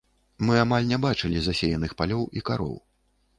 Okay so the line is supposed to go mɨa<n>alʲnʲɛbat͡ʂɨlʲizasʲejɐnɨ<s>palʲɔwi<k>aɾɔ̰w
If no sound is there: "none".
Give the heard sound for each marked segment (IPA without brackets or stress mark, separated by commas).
m, x, k